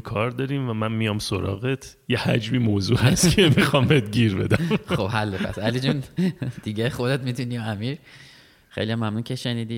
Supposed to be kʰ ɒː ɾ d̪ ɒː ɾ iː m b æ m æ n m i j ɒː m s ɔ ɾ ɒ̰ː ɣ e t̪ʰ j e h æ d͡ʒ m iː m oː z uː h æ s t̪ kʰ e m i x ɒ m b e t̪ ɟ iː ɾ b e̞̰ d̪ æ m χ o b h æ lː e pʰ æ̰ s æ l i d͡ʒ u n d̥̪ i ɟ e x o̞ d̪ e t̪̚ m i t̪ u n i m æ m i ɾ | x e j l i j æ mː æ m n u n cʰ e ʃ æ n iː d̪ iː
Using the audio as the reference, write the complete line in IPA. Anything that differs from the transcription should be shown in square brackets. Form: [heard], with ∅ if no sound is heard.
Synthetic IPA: kʰ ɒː ɾ d̪ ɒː ɾ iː m [v] æ m æ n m i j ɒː m s [o] ɾ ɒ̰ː ɣ e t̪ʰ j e h æ d͡ʒ m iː m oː z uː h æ s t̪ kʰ e m i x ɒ m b e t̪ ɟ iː ɾ b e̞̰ d̪ æ m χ o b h æ lː e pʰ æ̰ s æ l i d͡ʒ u n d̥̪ i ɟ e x o̞ d̪ e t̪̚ m i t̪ u n i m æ m i ɾ | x e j l i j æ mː æ m n u n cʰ e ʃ [e] n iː d̪ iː